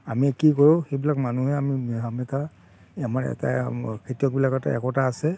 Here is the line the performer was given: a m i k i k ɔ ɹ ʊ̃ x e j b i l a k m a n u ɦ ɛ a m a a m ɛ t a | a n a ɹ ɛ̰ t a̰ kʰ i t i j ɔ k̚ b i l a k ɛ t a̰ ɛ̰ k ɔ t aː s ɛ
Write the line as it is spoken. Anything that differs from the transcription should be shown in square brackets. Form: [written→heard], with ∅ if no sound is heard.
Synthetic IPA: a m i k i k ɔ ɹ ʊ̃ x e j b i l a k m a n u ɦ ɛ a m [a→i] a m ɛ t a | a [n→m] a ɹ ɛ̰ t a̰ kʰ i t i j ɔ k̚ b i l a k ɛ t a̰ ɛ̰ k ɔ t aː s ɛ